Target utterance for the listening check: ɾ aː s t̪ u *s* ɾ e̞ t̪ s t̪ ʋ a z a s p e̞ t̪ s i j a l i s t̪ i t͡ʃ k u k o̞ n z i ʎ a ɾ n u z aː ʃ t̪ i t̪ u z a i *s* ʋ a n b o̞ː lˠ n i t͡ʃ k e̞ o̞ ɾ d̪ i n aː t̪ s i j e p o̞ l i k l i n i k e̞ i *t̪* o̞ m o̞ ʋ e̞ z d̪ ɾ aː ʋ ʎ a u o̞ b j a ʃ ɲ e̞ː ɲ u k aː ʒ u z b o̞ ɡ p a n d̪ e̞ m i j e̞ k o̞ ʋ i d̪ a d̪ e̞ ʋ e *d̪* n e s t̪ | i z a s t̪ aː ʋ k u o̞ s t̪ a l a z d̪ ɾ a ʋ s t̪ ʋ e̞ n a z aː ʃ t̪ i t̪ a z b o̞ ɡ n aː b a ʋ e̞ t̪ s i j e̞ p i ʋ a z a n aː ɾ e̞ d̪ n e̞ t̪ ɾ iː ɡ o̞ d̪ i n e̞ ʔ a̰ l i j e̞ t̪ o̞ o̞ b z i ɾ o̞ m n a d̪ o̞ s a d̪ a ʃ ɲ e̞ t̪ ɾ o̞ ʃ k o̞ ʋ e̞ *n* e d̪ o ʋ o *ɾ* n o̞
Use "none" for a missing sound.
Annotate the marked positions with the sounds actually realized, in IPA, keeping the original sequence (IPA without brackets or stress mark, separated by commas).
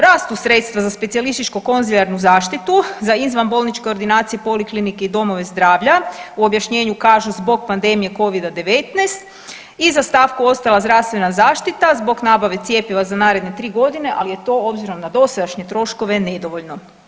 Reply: s, z, d̪, t̪, n, ʎ